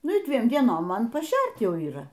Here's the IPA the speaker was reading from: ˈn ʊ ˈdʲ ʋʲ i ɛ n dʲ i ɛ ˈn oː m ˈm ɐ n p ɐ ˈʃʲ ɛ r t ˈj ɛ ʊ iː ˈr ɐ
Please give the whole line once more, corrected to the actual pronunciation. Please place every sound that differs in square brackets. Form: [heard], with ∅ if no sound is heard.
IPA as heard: ˈn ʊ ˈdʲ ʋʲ i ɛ [m] dʲ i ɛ ˈn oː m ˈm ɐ n p ɐ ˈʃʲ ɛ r t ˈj ɛ ʊ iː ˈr ɐ